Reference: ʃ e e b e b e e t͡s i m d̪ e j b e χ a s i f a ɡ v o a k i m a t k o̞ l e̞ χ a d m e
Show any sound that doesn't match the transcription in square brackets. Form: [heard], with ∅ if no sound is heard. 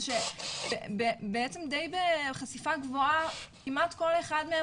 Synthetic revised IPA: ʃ e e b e b e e t͡s [e] m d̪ e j b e χ a s i f a ɡ v o a k i m a t k o̞ l e̞ χ a d m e